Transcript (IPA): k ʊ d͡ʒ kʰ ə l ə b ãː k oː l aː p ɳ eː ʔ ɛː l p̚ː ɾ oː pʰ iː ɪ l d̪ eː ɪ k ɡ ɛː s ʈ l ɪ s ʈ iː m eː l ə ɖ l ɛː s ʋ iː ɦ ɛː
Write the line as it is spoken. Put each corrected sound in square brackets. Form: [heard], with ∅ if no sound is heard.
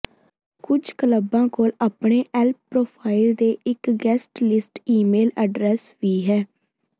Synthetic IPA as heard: k ʊ d͡ʒ [k] ə l ə b ãː k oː l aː p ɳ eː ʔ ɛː l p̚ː ɾ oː pʰ [aː] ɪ l d̪ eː ɪ k ɡ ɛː s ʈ l ɪ s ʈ iː m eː l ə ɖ [ɾ] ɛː s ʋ iː ɦ ɛː